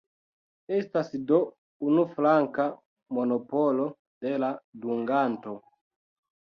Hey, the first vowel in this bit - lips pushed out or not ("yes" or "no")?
no